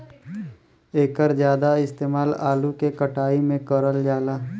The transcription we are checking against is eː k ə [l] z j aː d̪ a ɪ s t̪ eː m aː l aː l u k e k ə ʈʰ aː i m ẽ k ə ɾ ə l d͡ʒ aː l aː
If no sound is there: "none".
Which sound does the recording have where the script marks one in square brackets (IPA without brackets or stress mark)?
ɾ